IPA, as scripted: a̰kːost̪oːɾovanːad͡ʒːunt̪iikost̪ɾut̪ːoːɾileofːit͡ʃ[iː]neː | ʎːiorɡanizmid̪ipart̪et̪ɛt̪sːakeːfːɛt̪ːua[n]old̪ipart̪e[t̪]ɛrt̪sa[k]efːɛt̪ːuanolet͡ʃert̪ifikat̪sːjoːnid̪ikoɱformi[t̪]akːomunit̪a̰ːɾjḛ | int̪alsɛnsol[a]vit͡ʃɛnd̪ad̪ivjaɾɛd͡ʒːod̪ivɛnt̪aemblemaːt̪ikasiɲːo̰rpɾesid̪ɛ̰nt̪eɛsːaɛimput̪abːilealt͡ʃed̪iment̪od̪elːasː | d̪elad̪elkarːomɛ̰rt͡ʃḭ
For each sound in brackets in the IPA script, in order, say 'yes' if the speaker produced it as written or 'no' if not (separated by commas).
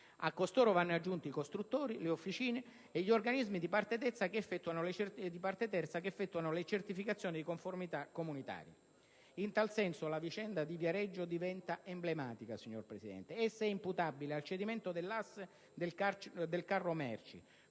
yes, yes, yes, yes, yes, yes